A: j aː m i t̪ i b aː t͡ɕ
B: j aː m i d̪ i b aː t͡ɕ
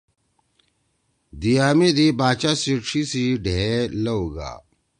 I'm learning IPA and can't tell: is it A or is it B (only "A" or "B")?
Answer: B